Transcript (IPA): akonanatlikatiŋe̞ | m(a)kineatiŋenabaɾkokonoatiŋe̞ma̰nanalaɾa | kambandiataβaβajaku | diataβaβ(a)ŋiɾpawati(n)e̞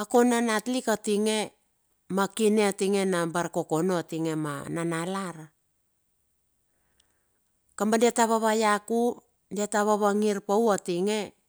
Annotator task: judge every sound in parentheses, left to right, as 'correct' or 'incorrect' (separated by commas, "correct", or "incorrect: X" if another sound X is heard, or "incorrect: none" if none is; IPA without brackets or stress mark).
correct, correct, incorrect: ŋ